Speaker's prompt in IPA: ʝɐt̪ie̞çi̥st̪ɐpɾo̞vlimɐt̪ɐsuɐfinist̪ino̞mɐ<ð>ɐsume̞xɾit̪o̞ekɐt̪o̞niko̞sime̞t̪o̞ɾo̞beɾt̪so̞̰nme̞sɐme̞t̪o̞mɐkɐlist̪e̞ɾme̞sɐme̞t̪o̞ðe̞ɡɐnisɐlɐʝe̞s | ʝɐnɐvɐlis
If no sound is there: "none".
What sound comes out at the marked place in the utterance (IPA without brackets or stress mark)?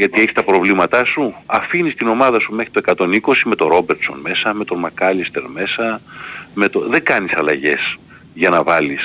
ð